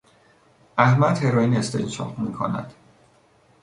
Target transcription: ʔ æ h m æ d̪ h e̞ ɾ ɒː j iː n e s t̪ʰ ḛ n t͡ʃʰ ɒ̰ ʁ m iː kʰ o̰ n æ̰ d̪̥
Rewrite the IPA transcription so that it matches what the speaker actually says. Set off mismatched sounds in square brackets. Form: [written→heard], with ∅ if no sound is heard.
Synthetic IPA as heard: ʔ æ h m æ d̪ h e̞ ɾ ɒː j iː n e s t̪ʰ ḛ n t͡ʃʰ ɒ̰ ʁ m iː kʰ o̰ n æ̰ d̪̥